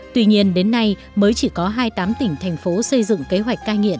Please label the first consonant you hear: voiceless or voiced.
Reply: voiceless